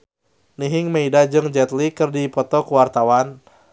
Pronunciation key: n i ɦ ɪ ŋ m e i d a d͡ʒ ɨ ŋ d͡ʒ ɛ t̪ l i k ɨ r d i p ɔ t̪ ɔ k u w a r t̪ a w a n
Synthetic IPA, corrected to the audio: n i ɦ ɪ ŋ m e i d a d͡ʒ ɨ ŋ d͡ʒ ɛ t̪ l i k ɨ r d i p ɔ t̪ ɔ k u w a r t̪ a w a n